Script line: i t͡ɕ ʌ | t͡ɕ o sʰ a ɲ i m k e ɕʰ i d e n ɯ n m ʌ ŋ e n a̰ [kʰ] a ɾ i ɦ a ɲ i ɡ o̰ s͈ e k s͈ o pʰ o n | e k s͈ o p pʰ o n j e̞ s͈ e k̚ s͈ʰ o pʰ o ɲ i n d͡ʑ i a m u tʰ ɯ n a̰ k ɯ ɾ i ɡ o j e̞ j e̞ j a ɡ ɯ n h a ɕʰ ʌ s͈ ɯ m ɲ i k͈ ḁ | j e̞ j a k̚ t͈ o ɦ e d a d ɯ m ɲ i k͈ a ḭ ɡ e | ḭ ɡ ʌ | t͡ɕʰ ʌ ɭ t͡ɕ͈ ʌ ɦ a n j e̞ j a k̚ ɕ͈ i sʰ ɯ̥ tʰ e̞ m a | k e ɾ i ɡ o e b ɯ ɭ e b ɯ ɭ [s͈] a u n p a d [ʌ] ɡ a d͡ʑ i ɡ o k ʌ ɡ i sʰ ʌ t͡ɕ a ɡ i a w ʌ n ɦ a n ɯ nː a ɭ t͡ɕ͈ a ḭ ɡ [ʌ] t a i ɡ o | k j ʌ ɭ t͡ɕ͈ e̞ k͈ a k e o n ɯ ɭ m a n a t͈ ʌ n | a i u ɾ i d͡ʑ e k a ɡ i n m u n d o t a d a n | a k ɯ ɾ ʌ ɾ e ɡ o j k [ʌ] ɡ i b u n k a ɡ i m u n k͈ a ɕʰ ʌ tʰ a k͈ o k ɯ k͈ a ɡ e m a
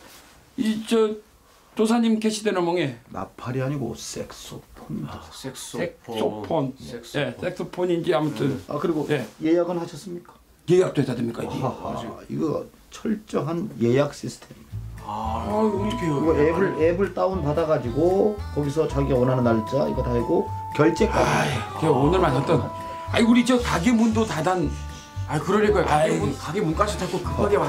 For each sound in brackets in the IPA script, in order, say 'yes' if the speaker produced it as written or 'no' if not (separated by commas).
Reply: no, no, no, yes, no